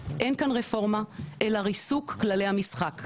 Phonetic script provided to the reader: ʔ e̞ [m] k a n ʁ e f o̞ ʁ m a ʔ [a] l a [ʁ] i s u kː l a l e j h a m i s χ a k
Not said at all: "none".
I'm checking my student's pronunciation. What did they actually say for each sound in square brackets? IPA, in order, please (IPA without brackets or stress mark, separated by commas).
n, e, ʁ